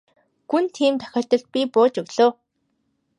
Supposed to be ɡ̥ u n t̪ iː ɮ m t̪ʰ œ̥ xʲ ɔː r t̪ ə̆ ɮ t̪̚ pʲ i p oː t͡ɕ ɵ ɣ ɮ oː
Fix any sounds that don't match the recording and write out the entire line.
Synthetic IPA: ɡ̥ u n t̪ʰ iː m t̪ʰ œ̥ xʲ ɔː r t̪ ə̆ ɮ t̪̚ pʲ i p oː t͡ɕ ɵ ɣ ɮ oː